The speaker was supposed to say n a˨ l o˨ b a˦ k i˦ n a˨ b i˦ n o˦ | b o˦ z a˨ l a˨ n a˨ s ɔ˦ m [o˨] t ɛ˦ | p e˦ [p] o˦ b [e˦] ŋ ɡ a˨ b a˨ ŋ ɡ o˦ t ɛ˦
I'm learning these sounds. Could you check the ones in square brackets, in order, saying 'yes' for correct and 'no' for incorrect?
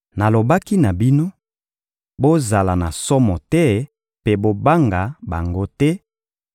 no, no, no

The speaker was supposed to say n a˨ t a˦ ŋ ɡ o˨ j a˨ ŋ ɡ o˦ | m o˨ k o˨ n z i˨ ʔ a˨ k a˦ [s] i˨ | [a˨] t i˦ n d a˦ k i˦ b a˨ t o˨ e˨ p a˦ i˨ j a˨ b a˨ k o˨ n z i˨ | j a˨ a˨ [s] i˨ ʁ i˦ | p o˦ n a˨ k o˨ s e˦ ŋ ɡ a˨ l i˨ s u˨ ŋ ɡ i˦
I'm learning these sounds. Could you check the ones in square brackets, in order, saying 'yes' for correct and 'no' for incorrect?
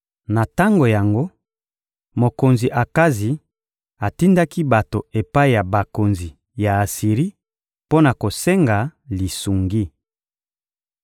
no, yes, yes

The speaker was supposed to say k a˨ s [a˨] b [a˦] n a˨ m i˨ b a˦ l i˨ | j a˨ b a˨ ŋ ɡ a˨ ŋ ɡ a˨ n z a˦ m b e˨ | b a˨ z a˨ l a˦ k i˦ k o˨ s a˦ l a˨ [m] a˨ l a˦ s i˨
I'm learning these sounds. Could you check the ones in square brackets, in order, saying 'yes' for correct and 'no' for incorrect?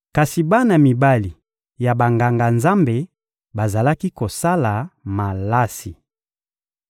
no, yes, yes

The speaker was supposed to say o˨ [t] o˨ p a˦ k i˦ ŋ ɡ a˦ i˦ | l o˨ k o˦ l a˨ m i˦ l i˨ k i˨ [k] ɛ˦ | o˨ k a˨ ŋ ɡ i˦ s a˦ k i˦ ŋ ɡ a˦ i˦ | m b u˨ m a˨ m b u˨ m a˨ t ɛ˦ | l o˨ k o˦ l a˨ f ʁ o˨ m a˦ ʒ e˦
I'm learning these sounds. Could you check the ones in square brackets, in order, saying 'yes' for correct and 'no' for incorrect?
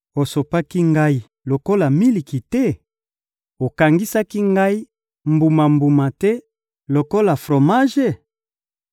no, no

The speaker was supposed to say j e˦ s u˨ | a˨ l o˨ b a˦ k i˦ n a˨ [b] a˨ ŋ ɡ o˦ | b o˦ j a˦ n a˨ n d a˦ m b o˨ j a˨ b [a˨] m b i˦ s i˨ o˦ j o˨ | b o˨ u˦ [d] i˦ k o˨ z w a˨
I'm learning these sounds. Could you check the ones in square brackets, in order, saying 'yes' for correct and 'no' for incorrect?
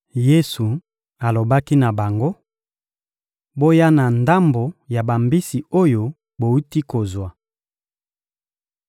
yes, yes, no

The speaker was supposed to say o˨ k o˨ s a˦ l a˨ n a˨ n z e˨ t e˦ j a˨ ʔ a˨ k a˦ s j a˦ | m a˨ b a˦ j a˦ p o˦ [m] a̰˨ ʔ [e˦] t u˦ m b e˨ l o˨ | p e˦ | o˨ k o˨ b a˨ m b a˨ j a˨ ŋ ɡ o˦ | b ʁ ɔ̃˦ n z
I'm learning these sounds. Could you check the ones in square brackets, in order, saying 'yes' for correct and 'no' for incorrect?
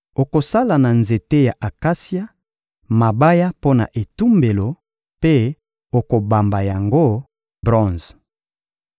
no, no

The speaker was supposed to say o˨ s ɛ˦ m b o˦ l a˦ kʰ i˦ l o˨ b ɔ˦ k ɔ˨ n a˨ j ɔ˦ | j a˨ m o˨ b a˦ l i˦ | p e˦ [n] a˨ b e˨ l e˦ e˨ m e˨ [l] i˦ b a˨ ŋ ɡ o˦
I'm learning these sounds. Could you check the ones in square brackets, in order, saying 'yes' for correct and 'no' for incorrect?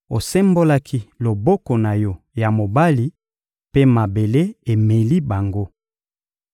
no, yes

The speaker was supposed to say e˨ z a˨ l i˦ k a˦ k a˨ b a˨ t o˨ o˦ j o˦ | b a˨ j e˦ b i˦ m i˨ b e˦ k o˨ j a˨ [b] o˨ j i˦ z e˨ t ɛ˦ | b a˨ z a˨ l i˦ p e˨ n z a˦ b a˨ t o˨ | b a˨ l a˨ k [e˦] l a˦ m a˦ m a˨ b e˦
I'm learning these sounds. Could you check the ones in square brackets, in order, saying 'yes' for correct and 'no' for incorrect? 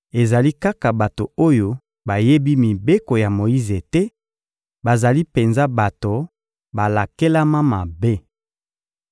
no, yes

